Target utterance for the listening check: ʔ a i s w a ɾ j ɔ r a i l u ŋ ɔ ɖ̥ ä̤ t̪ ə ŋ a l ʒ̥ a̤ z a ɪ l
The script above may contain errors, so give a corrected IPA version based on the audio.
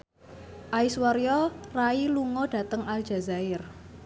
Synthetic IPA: ʔ a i s w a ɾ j ɔ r a i l u ŋ ɔ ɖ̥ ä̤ t̪ ə ŋ a l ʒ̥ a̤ z a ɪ r